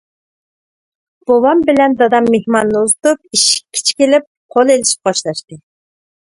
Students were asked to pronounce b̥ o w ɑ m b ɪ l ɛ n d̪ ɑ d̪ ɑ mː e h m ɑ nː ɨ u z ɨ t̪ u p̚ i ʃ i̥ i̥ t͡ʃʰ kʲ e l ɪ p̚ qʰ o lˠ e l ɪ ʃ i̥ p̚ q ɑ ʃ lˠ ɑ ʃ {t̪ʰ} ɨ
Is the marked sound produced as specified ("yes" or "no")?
no